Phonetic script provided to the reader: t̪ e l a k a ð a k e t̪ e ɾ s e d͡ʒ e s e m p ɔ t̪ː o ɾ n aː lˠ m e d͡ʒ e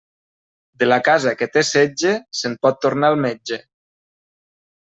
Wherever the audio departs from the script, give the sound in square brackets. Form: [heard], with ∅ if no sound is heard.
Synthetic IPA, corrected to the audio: [d̪] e l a k a [z] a k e t̪ e [∅] s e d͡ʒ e s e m p ɔ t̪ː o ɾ n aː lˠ m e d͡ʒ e